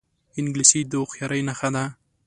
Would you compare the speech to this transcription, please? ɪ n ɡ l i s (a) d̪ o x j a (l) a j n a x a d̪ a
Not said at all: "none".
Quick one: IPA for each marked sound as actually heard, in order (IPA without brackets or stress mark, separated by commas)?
i, ɾ